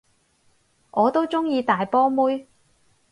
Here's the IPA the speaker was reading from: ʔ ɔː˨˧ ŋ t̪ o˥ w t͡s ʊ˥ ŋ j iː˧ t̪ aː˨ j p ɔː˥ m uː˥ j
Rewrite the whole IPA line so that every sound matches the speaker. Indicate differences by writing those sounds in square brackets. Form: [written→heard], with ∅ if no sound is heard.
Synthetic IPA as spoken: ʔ ɔː˨˧ [ŋ→∅] t̪ o˥ w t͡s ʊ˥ ŋ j iː˧ t̪ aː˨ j p ɔː˥ m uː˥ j